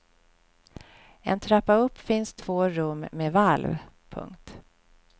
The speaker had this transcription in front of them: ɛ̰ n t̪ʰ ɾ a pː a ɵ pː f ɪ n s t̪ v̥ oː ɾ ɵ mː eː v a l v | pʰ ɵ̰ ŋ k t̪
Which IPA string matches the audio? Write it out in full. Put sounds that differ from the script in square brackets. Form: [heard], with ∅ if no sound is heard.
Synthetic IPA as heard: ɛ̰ n t̪ʰ ɾ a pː a ɵ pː f ɪ n s [t̪ʰ] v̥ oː ɾ ɵ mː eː v a l v | pʰ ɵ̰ ŋ k t̪